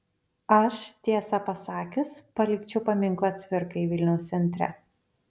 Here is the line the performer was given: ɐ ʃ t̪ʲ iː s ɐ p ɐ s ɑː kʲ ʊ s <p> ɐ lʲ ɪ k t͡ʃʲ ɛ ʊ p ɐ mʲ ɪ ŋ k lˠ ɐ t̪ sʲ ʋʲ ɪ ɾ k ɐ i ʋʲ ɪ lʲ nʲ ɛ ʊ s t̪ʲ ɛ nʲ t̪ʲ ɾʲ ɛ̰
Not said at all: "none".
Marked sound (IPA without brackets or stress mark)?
p